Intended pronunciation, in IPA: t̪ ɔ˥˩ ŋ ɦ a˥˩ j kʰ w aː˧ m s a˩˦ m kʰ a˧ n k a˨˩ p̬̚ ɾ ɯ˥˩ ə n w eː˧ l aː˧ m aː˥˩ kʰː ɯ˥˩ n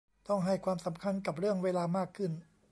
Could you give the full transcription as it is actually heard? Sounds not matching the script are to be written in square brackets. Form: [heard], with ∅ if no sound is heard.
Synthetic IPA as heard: t̪ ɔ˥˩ ŋ ɦ a˥˩ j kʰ w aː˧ m s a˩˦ m kʰ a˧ n k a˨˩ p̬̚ ɾ ɯ˥˩ ə [ŋ] w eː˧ l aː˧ m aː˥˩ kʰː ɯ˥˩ n

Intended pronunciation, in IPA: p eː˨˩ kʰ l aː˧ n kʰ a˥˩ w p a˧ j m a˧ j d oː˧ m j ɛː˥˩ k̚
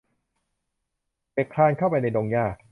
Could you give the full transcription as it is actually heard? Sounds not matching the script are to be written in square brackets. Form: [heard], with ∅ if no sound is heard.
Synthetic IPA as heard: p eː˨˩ kʰ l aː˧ n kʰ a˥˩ w p a˧ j [n] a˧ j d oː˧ [ŋ] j [aː˥˩] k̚

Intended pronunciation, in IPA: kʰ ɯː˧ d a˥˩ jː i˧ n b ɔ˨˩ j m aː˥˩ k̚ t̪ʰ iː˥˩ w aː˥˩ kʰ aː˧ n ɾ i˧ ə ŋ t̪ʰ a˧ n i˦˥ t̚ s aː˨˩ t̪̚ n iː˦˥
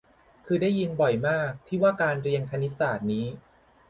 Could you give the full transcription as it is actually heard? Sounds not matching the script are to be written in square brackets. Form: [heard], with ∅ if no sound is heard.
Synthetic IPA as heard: kʰ ɯː˧ d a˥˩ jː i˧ n b ɔ˨˩ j m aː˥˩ k̚ t̪ʰ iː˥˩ w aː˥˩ [k] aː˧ n ɾ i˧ ə ŋ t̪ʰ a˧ n i˦˥ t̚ s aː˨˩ t̪̚ n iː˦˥

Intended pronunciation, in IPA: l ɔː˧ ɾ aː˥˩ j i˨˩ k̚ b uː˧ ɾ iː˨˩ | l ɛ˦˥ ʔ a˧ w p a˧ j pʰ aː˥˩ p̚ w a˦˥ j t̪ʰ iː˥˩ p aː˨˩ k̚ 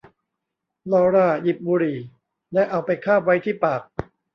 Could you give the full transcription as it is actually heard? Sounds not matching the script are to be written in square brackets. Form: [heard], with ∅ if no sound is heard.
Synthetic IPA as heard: l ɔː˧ ɾ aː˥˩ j i˨˩ [p̚] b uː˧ ɾ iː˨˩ | l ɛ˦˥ ʔ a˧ w p a˧ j [kʰ] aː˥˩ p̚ w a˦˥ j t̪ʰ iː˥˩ p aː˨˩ k̚

